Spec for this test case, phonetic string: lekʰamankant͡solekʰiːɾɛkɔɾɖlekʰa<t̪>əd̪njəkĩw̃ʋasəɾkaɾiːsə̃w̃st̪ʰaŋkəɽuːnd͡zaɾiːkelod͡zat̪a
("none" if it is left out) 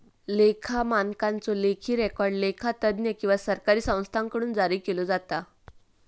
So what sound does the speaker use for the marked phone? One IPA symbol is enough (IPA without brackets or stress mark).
t̪